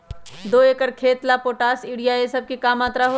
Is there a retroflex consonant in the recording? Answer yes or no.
yes